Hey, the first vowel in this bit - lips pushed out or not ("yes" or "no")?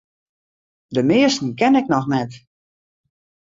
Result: no